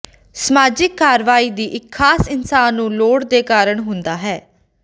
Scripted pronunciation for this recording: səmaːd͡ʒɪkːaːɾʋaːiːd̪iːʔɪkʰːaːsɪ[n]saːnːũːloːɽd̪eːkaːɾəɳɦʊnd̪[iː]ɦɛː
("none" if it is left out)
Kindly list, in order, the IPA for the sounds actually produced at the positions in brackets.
n, aː

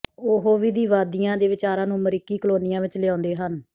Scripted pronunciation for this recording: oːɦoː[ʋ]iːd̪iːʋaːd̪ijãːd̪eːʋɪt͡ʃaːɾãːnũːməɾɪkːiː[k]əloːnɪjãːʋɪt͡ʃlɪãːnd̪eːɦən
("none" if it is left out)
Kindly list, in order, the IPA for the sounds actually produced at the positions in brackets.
ʋ, k

